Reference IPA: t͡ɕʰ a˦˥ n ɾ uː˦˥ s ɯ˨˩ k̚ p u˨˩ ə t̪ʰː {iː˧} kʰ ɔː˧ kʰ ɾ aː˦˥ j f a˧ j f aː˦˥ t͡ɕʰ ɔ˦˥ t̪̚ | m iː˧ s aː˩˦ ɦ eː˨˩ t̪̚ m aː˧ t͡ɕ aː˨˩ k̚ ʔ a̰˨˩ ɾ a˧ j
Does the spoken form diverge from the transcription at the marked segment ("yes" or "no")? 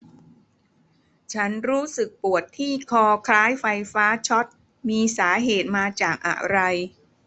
yes